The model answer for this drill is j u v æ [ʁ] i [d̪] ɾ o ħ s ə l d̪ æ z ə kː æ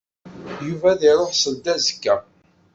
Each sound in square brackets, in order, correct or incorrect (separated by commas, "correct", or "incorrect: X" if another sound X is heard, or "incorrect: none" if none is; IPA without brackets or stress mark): incorrect: ð, incorrect: none